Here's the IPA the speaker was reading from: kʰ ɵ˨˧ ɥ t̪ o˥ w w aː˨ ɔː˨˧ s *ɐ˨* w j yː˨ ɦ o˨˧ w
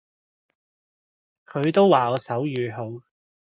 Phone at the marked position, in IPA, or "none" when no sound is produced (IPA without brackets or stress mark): ɐ˨˥